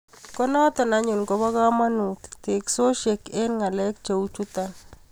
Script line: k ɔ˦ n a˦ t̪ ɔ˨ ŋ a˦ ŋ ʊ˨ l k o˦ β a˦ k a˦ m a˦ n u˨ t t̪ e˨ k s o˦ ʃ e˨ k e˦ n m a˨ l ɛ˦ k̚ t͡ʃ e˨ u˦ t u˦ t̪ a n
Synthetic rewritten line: k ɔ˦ n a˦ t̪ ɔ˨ n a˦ ɲ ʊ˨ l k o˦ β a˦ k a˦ m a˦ n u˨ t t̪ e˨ k s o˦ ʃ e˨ k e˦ n ŋ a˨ l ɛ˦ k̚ t͡ʃ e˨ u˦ t͡ʃ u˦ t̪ a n